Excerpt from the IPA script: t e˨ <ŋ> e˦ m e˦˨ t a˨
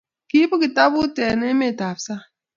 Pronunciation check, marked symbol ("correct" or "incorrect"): incorrect